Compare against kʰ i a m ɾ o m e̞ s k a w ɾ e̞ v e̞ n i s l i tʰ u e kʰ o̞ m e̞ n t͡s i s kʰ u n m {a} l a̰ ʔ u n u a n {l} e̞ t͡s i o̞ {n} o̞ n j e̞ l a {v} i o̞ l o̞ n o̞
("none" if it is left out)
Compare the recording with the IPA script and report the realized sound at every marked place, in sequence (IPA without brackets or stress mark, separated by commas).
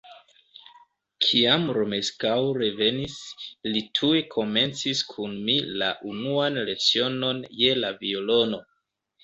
i, l, n, v